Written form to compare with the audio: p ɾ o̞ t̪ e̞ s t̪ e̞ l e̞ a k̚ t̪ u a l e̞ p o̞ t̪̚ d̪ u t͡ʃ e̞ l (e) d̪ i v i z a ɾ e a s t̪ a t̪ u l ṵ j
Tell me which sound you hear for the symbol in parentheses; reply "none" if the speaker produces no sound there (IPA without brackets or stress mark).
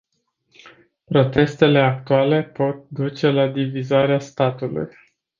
a